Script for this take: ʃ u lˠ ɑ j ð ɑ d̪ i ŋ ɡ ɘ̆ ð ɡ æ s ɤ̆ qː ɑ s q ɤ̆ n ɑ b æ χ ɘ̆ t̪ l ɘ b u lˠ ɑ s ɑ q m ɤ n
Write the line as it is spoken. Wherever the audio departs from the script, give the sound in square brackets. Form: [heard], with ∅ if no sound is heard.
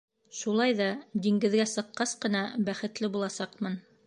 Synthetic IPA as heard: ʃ u lˠ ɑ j ð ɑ d̪ i ŋ ɡ ɘ̆ ð ɡ æ s ɤ̆ qː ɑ s q ɤ̆ n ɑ b æ χ ɘ̆ t̪ l ɘ b u lˠ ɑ s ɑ q m ɤ n